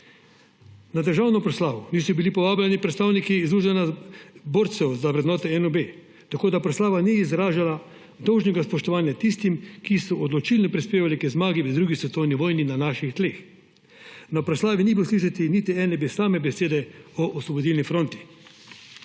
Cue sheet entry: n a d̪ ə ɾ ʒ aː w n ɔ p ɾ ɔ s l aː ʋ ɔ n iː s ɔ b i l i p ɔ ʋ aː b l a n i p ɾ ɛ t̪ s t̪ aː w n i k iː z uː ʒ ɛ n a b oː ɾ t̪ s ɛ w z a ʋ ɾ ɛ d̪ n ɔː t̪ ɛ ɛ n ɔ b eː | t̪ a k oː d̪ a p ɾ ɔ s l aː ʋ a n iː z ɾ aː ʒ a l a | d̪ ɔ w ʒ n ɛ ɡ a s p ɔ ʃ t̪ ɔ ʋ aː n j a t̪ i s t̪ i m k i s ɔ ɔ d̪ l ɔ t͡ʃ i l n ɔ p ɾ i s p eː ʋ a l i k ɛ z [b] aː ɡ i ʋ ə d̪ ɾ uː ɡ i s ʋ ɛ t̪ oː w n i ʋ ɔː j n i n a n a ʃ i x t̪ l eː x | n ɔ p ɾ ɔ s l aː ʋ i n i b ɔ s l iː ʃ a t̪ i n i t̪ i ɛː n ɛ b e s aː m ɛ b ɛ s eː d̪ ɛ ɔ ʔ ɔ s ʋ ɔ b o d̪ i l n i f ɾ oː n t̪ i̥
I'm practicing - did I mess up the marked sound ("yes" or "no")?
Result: yes